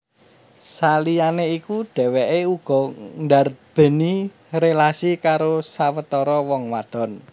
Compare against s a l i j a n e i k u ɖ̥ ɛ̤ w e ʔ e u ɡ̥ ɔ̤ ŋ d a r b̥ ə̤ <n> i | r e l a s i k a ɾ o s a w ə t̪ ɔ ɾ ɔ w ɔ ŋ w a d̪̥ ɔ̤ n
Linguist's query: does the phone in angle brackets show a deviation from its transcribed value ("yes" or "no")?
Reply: no